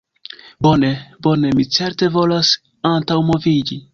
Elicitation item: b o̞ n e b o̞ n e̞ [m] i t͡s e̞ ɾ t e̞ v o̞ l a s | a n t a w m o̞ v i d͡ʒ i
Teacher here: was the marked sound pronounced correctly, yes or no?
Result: yes